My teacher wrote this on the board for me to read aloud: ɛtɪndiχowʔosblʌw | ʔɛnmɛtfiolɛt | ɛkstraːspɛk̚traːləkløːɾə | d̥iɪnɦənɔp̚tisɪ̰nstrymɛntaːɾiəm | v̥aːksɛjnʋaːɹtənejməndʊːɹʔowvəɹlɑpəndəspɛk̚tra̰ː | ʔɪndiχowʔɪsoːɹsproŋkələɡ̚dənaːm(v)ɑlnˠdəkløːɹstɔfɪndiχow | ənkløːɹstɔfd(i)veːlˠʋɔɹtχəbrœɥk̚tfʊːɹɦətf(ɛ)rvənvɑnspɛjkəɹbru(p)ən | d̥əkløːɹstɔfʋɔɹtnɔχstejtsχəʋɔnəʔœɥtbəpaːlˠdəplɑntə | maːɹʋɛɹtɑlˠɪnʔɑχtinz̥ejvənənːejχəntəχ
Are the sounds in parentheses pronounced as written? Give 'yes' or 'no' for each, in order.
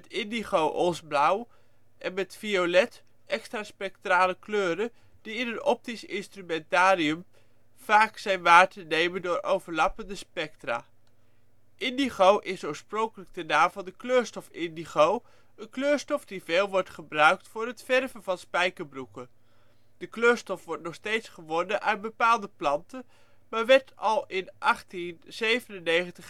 yes, yes, yes, no

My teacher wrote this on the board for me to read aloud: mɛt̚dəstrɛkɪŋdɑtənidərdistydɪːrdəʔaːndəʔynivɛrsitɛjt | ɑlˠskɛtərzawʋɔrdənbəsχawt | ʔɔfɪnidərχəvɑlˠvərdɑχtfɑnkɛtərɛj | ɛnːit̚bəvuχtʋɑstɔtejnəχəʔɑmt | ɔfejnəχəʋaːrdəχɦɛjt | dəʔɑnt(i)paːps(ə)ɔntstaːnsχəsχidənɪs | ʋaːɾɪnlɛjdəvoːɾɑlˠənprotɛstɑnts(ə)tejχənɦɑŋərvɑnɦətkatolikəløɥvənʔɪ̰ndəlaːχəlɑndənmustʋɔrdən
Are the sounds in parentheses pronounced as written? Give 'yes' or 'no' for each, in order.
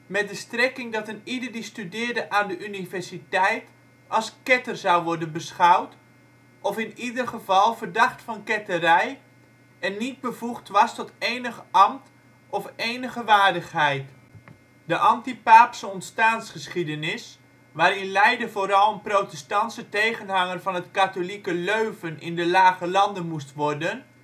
yes, yes, yes

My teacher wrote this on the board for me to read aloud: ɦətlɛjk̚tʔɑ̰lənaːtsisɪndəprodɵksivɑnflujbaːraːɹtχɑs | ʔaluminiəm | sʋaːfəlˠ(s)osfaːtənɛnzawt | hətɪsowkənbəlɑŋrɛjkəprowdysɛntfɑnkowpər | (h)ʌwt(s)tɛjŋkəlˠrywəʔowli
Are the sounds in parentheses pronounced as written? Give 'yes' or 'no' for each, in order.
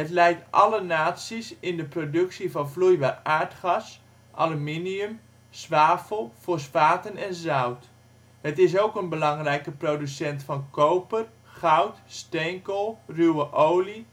no, no, yes

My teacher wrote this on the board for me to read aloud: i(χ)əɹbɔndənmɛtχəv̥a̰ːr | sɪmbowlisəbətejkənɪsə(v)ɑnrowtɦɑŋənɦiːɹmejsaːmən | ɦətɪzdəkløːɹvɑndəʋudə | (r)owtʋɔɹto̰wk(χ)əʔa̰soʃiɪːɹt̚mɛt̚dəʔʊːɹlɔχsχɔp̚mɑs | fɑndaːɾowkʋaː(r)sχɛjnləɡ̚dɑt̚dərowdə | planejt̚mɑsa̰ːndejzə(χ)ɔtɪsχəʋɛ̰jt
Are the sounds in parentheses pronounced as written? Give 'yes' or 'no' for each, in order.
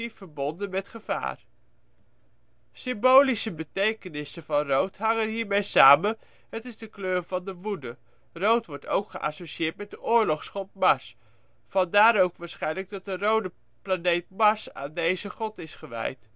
no, yes, yes, yes, no, yes

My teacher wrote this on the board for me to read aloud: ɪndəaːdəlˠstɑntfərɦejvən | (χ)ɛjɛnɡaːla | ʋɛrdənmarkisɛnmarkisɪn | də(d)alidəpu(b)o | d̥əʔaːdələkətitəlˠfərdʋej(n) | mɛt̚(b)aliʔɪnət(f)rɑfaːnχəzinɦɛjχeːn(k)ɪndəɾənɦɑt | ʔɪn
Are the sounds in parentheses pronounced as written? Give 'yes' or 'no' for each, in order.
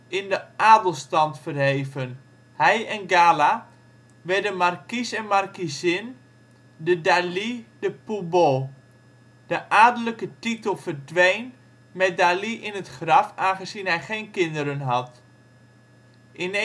no, yes, yes, yes, no, no, yes

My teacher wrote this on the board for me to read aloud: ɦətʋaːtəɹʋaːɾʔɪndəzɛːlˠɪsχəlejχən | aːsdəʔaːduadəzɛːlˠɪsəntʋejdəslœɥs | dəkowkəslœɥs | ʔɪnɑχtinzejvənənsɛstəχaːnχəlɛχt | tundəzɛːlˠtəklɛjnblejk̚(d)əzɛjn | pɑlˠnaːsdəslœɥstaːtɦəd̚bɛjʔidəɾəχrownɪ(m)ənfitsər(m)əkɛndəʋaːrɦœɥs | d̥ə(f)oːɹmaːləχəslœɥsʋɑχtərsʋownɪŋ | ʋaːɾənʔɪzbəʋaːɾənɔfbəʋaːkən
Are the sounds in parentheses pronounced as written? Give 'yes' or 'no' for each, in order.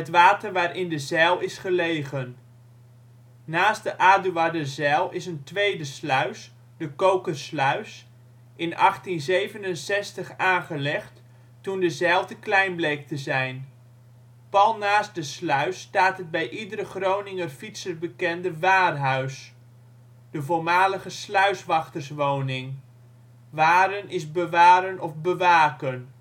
no, no, no, no

